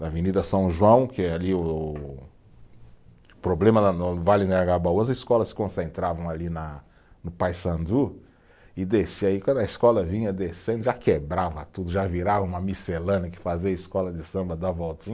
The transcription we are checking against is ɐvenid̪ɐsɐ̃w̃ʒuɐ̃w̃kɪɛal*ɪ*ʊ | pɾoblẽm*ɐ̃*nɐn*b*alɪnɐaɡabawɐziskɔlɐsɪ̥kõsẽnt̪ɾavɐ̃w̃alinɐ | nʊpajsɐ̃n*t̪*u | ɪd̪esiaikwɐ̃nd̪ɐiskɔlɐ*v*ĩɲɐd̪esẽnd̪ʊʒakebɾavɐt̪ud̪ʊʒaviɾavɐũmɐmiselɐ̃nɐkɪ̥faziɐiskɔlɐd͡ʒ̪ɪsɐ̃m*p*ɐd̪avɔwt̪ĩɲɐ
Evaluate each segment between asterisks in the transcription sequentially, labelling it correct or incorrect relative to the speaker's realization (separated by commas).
incorrect, incorrect, incorrect, incorrect, correct, incorrect